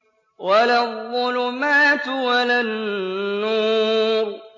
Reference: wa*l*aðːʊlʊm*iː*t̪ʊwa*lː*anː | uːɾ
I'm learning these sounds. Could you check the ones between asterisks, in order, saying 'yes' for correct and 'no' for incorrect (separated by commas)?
yes, no, no